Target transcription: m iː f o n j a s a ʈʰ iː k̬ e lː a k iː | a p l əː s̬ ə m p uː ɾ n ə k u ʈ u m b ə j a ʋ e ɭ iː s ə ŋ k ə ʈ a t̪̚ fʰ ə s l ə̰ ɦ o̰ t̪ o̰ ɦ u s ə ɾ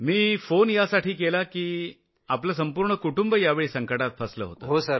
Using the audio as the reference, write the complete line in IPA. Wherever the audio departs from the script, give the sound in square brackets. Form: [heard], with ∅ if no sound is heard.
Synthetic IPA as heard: m iː f o n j a s a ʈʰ iː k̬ e [l] a k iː | a p l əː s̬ ə m p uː ɾ [ɳ] ə k u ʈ u m b ə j a ʋ e ɭ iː s ə ŋ k ə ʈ a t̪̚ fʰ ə s l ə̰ ɦ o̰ t̪ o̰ ɦ [o] s ə ɾ